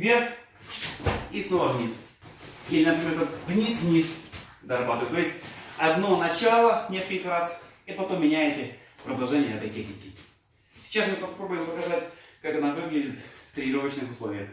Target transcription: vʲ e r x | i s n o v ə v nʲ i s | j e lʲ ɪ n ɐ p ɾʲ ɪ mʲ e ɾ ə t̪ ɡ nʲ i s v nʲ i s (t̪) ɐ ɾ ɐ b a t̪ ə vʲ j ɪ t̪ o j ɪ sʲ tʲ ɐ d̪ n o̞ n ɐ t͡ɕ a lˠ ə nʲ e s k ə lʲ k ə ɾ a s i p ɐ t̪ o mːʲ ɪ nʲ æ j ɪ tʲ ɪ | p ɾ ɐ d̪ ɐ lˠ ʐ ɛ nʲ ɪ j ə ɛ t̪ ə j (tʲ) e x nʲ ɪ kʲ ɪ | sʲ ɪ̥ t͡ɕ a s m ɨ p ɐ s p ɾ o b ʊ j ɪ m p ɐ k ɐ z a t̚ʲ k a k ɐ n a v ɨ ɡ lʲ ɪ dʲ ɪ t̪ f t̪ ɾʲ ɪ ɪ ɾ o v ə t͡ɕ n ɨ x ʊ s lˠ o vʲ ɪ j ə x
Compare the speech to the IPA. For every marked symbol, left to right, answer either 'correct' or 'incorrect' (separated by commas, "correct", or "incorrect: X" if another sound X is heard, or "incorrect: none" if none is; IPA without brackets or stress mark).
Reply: incorrect: d̪, correct